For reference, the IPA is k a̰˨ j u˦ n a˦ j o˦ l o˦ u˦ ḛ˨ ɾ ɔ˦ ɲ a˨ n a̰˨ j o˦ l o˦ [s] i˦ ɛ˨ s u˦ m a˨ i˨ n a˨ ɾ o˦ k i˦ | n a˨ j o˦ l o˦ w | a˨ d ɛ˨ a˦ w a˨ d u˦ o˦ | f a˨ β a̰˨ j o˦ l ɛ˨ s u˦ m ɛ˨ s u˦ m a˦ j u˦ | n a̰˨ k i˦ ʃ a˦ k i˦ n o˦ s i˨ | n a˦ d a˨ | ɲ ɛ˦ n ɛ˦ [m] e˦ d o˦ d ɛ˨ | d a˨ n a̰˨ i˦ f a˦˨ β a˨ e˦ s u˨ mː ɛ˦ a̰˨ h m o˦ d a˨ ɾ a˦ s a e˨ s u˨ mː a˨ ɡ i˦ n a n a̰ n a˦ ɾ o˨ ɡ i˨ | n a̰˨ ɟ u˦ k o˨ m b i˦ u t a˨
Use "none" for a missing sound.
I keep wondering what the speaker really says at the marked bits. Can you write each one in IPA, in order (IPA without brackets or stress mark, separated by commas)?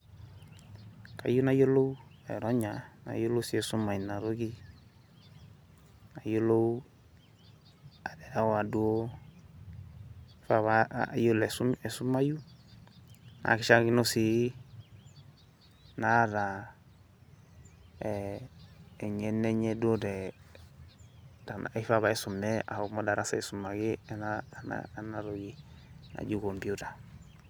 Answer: s, ɲ